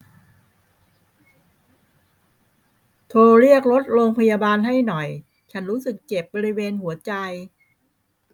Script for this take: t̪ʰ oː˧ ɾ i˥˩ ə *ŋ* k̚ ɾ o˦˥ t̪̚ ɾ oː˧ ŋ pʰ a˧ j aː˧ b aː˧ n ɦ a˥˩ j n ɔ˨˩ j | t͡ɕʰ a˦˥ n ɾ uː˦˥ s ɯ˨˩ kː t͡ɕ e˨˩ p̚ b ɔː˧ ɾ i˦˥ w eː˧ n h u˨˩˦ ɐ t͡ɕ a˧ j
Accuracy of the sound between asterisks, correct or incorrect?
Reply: incorrect